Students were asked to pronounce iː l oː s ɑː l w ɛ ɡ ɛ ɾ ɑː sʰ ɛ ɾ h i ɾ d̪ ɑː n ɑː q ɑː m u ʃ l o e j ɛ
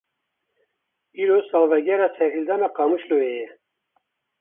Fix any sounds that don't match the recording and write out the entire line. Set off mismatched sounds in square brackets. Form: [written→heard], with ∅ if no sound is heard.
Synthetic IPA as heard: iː [l→ɾ] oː s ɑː l [w→v] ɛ ɡ ɛ ɾ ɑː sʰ ɛ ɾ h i [ɾ→l] d̪ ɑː n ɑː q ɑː m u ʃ l o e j ɛ